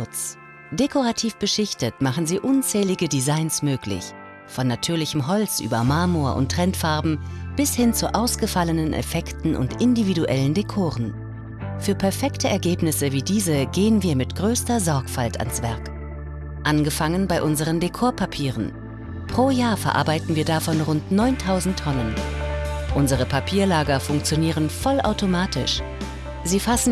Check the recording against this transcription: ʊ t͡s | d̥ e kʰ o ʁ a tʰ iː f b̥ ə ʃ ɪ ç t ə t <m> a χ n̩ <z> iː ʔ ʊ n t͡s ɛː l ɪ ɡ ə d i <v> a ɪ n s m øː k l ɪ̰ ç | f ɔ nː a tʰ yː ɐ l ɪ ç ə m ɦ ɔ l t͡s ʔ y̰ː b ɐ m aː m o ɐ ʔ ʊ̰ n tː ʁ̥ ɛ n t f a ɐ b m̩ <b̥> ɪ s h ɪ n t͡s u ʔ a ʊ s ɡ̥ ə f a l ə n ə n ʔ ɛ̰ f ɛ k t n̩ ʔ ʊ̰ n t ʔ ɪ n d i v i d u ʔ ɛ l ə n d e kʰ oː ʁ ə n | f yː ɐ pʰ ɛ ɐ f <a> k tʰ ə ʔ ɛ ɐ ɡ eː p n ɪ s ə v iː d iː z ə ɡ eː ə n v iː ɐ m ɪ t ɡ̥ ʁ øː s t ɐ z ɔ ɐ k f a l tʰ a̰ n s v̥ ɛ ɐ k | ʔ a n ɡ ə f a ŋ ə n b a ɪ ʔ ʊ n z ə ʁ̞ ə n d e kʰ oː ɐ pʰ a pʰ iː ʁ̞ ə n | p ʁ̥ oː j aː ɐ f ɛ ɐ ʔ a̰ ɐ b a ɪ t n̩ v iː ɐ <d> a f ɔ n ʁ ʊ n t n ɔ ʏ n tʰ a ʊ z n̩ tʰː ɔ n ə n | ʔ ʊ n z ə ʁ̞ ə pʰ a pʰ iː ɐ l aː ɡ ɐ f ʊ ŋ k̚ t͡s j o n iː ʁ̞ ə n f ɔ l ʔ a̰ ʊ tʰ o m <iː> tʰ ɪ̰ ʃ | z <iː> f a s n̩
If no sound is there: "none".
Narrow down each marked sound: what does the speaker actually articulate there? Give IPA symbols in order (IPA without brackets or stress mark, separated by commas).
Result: m, z, z, b̥, ɛ, d, aː, iː